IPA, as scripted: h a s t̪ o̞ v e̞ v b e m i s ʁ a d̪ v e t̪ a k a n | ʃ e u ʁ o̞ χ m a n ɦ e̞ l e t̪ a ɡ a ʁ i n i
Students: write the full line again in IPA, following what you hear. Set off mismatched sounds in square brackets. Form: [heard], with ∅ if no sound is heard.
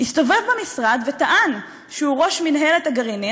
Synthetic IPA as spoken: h [i] s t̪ o̞ v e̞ v b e m i s ʁ a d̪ v e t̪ a [ʔ] a n | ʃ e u ʁ o̞ [ʃ] m [i] n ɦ e̞ l e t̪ a ɡ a ʁ i n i